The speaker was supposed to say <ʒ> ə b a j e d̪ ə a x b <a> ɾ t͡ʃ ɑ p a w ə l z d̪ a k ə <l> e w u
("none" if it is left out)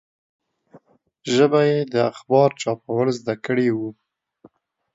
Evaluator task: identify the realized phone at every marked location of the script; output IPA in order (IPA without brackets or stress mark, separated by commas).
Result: ʒ, ɑ, ɽ